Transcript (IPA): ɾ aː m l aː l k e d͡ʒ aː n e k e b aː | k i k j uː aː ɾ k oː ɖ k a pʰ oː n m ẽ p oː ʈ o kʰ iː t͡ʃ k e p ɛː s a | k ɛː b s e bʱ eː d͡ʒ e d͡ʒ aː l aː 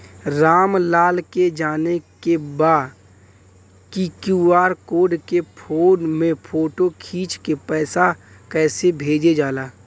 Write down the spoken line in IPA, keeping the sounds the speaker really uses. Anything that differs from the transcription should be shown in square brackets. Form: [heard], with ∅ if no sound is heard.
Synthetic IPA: ɾ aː m l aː l k e d͡ʒ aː n e k e b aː | k i k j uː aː ɾ k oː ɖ k [e] pʰ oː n m ẽ [pʰ] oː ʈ o kʰ iː t͡ʃ k e p ɛː s a | k ɛː [∅] s e bʱ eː d͡ʒ e d͡ʒ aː l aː